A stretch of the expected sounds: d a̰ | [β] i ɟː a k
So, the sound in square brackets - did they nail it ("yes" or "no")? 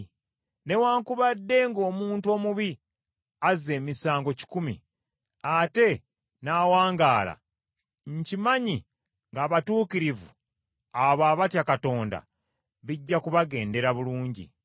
yes